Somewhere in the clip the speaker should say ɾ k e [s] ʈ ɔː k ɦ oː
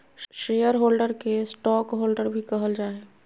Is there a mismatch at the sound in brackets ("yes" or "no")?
no